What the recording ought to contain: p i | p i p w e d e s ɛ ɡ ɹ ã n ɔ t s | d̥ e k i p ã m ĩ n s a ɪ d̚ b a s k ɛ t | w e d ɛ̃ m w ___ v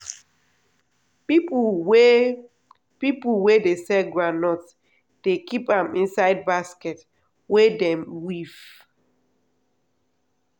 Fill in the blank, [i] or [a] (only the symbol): i